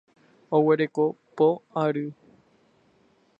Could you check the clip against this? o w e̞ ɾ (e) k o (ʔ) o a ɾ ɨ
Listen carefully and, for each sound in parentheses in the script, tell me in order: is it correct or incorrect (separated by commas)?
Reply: correct, incorrect